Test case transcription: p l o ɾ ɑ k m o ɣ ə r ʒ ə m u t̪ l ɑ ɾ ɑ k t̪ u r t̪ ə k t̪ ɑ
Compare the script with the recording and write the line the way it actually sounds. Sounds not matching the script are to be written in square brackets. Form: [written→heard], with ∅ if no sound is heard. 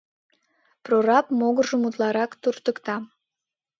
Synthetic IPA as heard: p [l→r] o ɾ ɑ [k→p] m o ɣ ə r ʒ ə m u t̪ l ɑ ɾ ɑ k t̪ u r t̪ ə k t̪ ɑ